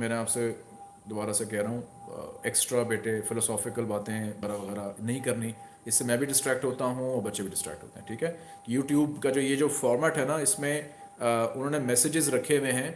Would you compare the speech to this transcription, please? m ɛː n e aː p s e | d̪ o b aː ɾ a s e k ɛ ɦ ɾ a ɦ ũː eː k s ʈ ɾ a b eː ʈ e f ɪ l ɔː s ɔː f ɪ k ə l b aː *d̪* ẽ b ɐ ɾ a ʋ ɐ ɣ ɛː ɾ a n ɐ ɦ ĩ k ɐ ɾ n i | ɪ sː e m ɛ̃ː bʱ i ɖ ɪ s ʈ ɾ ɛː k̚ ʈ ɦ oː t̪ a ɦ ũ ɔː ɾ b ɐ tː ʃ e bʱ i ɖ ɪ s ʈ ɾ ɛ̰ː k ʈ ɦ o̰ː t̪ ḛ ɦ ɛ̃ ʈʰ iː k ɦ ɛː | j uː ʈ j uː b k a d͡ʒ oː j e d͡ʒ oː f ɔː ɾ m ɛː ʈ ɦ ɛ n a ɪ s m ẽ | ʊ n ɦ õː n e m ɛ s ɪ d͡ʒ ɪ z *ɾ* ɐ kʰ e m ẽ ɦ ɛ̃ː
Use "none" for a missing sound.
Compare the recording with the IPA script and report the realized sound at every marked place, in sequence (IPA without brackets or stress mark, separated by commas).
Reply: t̪, ɾ